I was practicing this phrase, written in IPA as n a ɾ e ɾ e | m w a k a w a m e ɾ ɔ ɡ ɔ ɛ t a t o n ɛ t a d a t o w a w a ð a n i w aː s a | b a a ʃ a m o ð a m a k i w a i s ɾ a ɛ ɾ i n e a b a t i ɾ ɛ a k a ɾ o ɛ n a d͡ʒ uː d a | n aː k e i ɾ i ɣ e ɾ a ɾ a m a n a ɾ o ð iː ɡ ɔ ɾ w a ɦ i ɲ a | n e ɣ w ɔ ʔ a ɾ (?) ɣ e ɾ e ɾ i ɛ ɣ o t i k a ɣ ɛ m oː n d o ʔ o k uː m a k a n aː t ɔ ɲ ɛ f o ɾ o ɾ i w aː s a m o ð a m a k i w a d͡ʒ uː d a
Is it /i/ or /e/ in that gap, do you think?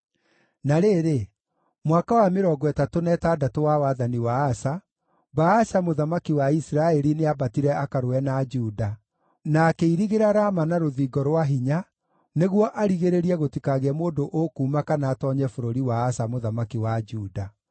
i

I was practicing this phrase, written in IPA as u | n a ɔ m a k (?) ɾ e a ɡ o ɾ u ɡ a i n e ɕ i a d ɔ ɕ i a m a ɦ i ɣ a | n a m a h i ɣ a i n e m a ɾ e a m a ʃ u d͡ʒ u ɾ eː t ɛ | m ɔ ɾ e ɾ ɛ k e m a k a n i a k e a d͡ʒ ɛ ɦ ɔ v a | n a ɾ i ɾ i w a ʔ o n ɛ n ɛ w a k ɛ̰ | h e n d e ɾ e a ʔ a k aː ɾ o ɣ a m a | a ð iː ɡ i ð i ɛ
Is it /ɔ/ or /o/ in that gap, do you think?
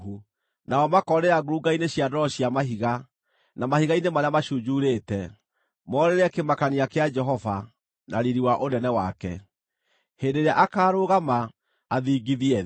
ɔ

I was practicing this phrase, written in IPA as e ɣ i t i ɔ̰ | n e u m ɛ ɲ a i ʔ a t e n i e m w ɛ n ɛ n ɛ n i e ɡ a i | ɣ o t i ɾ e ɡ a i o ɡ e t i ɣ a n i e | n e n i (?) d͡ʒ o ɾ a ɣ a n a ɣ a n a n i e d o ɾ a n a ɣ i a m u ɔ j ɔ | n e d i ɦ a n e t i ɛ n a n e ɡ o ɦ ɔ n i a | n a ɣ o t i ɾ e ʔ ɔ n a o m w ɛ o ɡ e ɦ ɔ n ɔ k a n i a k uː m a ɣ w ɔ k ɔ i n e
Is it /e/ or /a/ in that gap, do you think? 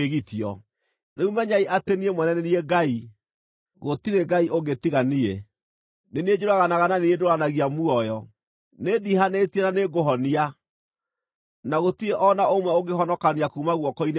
e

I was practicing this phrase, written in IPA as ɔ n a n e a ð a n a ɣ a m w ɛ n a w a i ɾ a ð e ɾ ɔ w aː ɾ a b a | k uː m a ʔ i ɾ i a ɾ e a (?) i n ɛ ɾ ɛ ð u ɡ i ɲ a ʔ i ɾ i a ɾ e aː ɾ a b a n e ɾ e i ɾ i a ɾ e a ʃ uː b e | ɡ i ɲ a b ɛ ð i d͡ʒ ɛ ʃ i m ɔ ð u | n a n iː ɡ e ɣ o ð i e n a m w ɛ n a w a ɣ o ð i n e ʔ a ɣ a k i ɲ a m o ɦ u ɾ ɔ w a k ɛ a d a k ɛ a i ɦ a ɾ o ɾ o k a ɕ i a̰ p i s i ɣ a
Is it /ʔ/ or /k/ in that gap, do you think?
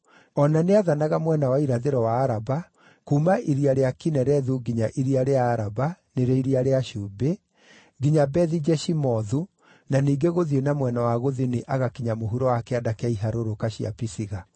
k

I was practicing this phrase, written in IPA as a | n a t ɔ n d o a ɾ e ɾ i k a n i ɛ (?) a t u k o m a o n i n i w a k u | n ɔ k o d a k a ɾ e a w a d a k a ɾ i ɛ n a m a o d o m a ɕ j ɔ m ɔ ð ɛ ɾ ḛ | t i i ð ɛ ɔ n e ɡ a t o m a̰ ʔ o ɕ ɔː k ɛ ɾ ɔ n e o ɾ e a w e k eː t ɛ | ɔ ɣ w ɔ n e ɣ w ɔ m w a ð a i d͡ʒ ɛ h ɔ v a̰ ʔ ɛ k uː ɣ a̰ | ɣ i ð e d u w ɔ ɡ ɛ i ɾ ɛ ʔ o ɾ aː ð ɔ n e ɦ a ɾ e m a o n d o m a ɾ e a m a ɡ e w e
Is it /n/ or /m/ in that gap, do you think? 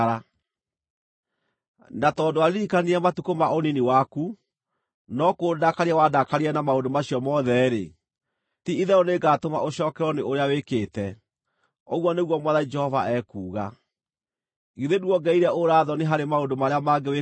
m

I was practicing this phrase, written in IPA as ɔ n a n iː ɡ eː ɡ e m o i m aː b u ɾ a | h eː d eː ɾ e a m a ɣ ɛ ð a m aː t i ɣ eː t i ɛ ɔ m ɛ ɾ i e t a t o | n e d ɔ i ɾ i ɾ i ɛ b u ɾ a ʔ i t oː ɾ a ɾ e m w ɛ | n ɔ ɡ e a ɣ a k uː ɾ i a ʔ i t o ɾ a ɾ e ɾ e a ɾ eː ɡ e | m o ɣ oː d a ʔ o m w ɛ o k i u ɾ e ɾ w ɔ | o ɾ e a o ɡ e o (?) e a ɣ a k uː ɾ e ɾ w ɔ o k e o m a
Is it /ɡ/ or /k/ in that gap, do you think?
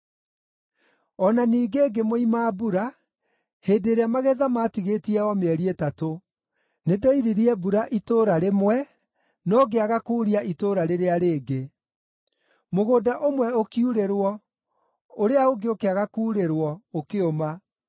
k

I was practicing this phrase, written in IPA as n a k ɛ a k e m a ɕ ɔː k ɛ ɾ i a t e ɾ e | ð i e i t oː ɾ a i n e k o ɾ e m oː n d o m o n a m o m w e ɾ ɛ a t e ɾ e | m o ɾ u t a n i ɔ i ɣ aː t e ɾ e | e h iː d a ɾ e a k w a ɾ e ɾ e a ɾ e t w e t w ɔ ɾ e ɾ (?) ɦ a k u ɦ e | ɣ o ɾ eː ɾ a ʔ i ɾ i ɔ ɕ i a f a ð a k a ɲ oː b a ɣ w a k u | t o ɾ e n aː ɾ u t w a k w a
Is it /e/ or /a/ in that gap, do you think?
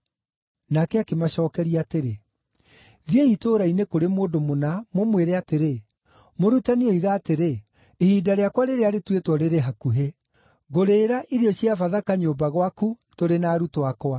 e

